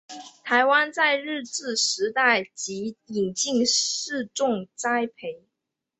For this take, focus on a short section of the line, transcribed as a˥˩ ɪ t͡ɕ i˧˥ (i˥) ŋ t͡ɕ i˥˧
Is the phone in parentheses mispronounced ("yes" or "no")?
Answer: yes